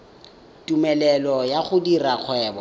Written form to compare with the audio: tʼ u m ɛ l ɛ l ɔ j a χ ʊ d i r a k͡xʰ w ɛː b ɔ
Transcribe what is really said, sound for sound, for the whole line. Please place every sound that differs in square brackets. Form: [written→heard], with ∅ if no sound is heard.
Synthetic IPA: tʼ u m ɛ l ɛ l ɔ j a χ ʊ d i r a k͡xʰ w ɛː b ɔ

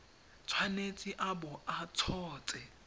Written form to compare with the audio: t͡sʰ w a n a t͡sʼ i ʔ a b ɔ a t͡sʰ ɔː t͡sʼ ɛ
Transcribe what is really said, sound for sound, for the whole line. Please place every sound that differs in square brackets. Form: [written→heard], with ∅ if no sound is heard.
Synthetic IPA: t͡sʰ w a n [a→e] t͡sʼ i ʔ a b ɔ a t͡sʰ ɔː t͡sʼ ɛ

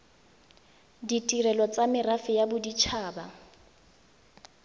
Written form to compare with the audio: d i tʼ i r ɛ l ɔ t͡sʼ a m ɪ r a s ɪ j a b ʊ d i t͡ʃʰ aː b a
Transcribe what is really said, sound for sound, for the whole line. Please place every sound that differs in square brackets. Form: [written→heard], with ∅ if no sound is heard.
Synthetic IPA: d i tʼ i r ɛ l ɔ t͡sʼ a m ɪ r a [s→f] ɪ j a b ʊ d i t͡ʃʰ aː b a

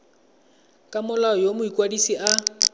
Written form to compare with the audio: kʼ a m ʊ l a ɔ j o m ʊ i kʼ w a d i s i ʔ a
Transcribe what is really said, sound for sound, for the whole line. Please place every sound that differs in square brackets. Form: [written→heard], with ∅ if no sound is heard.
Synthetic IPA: kʼ a m ʊ l a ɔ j o m ʊ i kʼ w a d i s i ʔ a

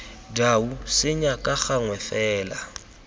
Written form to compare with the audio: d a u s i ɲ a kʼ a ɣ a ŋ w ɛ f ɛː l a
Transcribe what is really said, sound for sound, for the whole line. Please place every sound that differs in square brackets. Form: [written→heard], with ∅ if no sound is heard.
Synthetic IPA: d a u s [i→ɪ] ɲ a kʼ a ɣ a ŋ w ɛ f ɛː l a

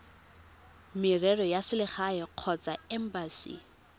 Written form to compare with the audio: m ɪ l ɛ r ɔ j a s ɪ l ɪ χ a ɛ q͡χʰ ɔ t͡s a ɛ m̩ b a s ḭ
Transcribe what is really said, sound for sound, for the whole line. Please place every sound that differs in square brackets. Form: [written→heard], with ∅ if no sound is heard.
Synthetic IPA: m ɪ [l→r] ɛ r ɔ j a s ɪ l ɪ χ a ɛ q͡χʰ ɔ t͡s a ɛ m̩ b a s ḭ

